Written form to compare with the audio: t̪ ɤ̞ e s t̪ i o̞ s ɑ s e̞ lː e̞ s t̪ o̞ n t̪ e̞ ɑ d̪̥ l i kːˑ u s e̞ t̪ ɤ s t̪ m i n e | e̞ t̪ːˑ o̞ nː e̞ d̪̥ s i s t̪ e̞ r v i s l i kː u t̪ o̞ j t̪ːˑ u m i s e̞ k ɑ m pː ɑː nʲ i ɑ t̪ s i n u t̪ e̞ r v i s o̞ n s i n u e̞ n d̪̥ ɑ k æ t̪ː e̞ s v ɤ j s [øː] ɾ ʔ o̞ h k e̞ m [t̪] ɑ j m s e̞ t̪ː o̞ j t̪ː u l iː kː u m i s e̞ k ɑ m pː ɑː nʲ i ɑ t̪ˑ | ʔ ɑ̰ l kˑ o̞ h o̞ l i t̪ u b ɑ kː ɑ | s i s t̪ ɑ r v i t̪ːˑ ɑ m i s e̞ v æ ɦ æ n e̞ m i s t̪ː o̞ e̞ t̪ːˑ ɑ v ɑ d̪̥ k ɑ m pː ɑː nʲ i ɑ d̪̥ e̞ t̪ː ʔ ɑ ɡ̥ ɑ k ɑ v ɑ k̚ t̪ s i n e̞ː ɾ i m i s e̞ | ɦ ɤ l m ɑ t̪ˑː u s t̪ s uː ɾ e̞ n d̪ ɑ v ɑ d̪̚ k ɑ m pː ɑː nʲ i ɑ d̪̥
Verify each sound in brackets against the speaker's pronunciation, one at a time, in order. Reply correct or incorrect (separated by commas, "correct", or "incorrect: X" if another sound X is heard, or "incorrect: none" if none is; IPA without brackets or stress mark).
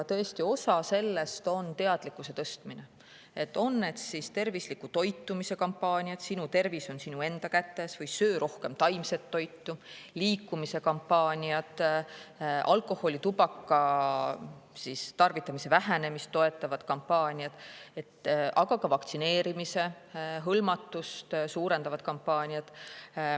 correct, correct